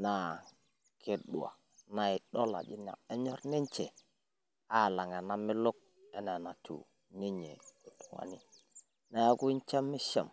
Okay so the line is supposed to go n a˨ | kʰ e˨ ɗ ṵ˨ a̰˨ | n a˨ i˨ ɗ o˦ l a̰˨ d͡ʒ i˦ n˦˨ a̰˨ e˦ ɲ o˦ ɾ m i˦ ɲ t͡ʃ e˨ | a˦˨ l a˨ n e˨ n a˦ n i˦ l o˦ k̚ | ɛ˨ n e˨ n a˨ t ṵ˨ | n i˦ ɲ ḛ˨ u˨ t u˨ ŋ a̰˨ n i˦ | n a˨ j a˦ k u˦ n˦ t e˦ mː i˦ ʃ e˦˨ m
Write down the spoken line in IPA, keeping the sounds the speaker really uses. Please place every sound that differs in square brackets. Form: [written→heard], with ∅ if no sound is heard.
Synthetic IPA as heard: n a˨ | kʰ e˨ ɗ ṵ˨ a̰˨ | n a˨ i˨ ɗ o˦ l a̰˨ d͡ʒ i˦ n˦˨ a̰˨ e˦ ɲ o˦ ɾ [m→n] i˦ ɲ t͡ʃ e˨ | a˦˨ l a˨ [n→ŋ] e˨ n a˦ [n→m] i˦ l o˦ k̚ | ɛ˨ n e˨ n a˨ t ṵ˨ | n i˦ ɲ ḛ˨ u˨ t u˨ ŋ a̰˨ n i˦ | n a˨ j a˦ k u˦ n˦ [t→t͡ʃ] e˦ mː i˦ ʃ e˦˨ m